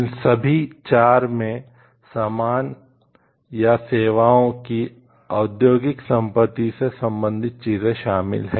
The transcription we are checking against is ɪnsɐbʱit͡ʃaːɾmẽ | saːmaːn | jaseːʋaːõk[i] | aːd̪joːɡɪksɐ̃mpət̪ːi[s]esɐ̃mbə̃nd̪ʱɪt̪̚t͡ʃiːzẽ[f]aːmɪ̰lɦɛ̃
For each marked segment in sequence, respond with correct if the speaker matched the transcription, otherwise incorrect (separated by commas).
correct, correct, incorrect